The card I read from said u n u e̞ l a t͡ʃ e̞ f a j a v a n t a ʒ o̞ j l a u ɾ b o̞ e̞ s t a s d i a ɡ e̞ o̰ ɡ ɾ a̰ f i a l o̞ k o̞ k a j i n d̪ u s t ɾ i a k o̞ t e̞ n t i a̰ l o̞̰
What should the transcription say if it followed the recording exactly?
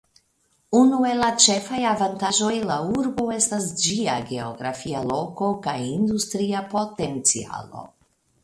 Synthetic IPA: u n u e̞ l a t͡ʃ e̞ f a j a v a n t a ʒ o̞ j l a u ɾ b o̞ e̞ s t a s d͡ʒ i a ɡ e̞ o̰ ɡ ɾ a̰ f i a l o̞ k o̞ k a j i n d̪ u s t ɾ i a p o̞ t e̞ n t͡s i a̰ l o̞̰

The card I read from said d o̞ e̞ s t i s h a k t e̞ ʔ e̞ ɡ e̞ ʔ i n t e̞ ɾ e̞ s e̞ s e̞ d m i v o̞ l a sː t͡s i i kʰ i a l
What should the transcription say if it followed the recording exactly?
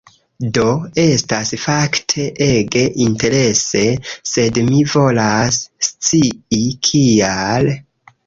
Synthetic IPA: d o̞ e̞ s t a s f a k tʰ e̞ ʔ e̞ ɡ e̞ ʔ i n t e̞ ɾ e̞ s e̞ s e̞ d m i v o̞ l a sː t͡s i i kʰ i a l

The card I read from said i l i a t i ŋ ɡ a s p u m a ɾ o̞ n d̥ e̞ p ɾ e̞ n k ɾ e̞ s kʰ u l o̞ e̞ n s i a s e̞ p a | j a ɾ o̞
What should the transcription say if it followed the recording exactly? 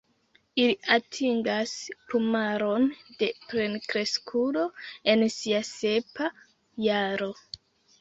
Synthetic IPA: i l i a tʰ i ŋ ɡ a s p u m a ɾ o̞ n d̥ e̞ p ɾ e̞ n k ɾ e̞ s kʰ u l o̞ e̞ n s i a s e̞ p a | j a ɾ o̞

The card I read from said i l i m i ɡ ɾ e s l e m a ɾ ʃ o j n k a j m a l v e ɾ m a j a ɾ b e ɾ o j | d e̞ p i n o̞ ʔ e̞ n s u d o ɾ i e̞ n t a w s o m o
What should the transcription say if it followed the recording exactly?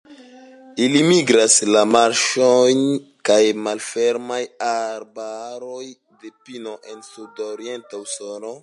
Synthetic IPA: i l i m i ɡ ɾ a s l a m a ɾ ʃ o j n k a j m a l f e ɾ m a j a ɾ b a ɾ o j | d e̞ p i n o̞ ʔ e̞ n s u d o ɾ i e̞ n t a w s o n o

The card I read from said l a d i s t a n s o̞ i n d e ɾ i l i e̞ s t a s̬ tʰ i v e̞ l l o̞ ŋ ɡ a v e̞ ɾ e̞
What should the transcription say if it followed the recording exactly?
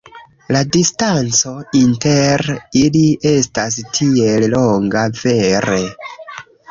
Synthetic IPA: l a d i s t a n t͡s o̞ i n t e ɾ i l i e̞ s t a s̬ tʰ i e̞ l l o̞ ŋ ɡ a v e̞ ɾ e̞

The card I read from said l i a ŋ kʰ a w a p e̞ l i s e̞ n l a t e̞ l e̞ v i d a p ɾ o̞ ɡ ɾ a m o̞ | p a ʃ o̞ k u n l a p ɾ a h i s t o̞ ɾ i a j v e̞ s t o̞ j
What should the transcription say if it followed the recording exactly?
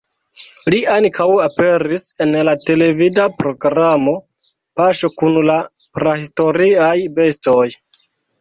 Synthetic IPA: l i a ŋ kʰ a w a p e̞ ɾ i s e̞ n l a t e̞ l e̞ v i d a p ɾ o̞ ɡ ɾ a m o̞ | p a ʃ o̞ k u n l a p ɾ a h i s t o̞ ɾ i a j b e̞ s t o̞ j

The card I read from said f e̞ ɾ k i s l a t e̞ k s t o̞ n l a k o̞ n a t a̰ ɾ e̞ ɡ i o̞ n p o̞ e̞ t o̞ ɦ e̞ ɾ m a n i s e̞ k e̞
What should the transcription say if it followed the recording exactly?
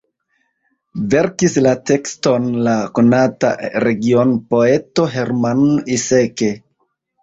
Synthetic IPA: v e̞ ɾ k i s l a t e̞ k s t o̞ n l a k o̞ n a t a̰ ɾ e̞ ɡ i o̞ n p o̞ e̞ t o̞ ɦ e̞ ɾ m a n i s e̞ k e̞

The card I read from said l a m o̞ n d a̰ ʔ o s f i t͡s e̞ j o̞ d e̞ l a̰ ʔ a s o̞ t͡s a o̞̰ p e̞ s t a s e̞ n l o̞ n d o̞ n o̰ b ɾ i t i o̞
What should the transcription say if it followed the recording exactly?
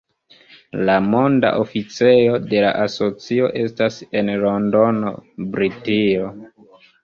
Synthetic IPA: l a m o̞ n d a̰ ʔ o f i t͡s e̞ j o̞ d e̞ l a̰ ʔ a s o̞ t͡s i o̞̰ ʔ e̞ s t a s e̞ n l o̞ n d o̞ n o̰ b ɾ i t i o̞

